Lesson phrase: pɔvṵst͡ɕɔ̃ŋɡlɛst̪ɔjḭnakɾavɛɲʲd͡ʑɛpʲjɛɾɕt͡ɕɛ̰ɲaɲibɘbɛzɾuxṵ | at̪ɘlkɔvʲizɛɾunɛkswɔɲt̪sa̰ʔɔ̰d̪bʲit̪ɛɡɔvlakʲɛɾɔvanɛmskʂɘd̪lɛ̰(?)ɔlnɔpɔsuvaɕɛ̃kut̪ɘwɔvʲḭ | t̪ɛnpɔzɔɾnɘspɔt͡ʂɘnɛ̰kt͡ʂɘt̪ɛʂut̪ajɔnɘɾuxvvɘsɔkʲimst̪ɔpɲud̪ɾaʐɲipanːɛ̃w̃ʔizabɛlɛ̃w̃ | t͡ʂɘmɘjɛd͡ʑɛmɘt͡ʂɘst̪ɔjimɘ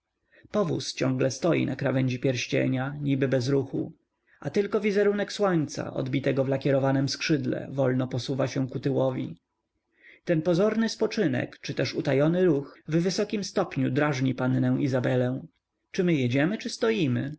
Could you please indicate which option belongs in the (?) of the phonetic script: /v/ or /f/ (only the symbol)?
v